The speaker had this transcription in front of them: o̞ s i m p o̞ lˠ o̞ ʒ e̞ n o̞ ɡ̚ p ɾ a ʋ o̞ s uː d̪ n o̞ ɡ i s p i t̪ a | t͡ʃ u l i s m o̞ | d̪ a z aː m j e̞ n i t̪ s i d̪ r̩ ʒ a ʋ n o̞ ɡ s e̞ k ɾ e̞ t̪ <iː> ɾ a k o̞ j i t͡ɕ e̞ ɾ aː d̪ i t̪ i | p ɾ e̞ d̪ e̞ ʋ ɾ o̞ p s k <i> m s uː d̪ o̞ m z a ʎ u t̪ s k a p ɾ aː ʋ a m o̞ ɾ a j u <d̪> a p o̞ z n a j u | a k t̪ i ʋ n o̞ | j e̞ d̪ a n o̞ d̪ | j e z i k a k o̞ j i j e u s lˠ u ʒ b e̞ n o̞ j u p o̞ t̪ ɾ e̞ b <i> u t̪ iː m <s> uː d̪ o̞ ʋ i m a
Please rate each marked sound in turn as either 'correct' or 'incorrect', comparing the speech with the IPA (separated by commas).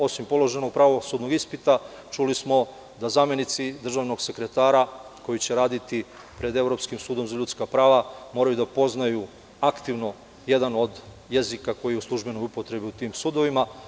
incorrect, correct, correct, correct, correct